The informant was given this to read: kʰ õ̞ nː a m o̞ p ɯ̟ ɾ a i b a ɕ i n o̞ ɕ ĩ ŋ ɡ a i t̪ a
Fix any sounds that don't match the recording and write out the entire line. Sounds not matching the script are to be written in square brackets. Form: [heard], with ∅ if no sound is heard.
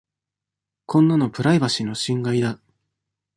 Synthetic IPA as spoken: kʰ õ̞ nː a [n] o̞ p ɯ̟ ɾ a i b a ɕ i n o̞ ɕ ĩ ŋ ɡ a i [d̪] a